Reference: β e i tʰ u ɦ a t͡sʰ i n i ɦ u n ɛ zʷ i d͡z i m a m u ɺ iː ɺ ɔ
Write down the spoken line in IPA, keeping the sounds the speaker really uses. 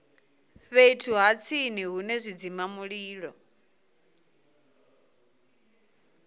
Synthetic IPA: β e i tʰ u ɦ a t͡sʰ i n i ɦ u n ɛ zʷ i d͡z i m a m u ɺ iː ɺ ɔ